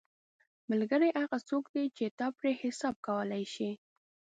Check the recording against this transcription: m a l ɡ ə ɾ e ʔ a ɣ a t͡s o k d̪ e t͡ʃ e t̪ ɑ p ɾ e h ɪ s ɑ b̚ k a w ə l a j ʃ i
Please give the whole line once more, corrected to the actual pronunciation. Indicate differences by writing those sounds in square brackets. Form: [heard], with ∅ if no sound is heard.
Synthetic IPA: m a l ɡ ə ɾ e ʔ a ɣ a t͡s o k d̪ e t͡ʃ e t̪ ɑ p ɾ e h ɪ s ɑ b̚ k a w ə l a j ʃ i